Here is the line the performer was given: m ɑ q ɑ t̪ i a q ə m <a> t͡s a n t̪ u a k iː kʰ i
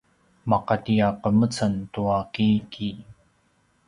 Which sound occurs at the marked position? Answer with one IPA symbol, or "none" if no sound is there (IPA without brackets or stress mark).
ə